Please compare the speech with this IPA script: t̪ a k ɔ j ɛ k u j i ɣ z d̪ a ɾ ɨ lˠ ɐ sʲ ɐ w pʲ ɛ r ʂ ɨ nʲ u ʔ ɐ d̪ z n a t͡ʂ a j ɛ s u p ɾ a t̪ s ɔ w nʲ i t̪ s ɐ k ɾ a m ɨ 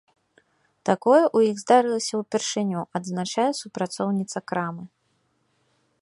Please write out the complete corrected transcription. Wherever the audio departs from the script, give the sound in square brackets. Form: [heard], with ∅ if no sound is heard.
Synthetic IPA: t̪ a k ɔ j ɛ [ʔ] u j i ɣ z d̪ a ɾ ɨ lˠ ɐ sʲ ɐ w pʲ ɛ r ʂ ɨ nʲ u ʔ ɐ d̪ z n a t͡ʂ a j ɛ s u p ɾ a t̪ s ɔ w nʲ i t̪ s ɐ k ɾ a m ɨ